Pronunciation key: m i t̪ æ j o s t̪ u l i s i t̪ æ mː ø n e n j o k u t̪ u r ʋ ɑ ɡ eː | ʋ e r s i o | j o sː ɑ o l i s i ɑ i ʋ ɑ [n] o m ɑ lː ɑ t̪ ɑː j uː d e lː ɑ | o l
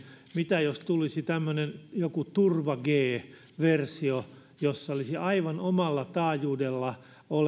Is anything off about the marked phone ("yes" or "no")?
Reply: no